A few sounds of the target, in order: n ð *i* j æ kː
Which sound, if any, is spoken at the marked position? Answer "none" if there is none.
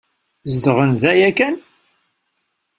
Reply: æ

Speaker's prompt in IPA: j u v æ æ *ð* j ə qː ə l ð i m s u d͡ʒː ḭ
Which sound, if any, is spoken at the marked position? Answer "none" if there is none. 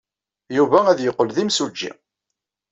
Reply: ð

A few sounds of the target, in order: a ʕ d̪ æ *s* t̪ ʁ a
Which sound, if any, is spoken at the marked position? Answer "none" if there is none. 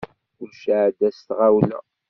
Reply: s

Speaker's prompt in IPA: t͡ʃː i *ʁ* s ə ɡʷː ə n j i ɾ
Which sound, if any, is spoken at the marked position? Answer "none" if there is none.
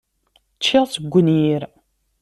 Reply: ʁ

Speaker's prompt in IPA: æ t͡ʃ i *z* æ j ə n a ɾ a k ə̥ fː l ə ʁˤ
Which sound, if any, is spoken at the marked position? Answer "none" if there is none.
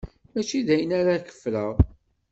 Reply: ð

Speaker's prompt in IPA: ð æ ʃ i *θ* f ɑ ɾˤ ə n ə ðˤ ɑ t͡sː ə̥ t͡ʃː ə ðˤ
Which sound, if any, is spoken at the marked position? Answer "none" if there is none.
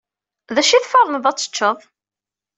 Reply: θ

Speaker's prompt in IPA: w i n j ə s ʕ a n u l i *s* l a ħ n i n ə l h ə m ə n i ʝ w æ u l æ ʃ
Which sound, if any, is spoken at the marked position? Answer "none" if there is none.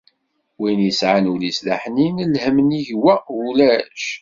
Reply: s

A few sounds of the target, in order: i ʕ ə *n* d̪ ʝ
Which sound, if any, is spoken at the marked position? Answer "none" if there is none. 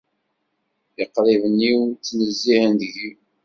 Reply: n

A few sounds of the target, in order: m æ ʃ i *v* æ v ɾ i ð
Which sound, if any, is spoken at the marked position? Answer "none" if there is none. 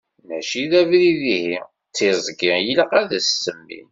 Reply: ð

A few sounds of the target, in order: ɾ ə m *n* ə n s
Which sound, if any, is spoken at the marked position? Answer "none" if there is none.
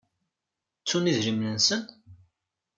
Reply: n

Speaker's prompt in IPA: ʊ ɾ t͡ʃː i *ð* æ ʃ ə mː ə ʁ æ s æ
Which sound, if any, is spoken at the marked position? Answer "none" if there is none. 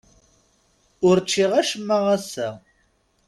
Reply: ʁ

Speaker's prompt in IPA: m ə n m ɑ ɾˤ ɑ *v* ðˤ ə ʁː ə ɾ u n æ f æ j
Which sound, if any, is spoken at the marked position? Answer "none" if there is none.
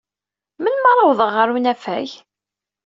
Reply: w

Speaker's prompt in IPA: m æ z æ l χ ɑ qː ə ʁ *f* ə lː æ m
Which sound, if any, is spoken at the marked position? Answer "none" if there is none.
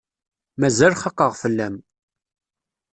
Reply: f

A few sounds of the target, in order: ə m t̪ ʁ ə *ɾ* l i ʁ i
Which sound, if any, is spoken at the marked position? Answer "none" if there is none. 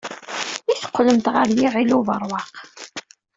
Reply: ɾ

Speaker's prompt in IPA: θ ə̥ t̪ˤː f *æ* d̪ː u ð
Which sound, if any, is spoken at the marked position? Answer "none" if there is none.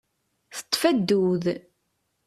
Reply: æ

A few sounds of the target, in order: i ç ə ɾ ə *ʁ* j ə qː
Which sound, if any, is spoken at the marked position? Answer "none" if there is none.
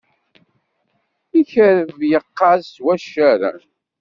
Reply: v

